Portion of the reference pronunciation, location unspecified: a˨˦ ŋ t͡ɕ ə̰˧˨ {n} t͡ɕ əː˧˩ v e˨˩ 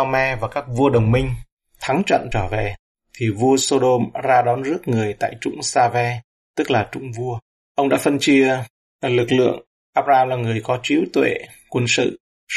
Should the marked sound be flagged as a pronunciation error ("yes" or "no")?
no